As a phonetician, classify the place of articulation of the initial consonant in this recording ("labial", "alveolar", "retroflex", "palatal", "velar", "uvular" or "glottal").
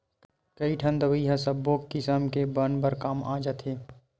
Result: velar